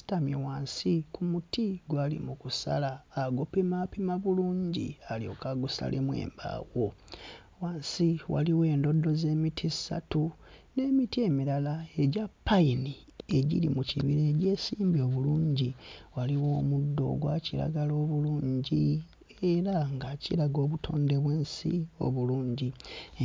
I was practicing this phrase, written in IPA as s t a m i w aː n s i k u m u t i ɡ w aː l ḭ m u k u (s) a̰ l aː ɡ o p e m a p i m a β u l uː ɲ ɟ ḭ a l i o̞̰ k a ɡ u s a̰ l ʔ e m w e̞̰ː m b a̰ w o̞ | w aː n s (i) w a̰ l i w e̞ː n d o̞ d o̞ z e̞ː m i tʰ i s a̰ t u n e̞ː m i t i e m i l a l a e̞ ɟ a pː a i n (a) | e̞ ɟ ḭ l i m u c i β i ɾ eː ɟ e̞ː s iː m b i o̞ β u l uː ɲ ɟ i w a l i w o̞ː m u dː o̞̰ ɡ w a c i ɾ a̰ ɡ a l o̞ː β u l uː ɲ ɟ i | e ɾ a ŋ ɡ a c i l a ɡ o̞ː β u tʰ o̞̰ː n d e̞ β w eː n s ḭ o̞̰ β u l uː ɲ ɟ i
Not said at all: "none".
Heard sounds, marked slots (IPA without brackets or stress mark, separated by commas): s, i, i